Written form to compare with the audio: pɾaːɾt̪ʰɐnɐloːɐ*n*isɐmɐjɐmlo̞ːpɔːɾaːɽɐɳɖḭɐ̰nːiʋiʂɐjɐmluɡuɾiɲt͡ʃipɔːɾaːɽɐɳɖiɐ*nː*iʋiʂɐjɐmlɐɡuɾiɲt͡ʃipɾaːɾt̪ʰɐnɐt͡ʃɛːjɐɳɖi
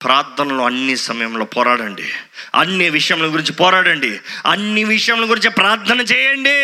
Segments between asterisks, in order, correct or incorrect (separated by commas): incorrect, correct